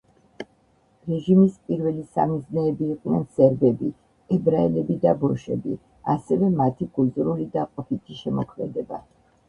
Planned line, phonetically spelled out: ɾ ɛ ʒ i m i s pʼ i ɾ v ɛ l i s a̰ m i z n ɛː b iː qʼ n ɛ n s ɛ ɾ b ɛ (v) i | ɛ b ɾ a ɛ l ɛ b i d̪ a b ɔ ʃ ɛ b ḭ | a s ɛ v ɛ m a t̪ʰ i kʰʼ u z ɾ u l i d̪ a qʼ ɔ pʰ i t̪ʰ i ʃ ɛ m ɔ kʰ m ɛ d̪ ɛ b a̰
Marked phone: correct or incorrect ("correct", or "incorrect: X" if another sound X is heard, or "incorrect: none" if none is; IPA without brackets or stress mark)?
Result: incorrect: b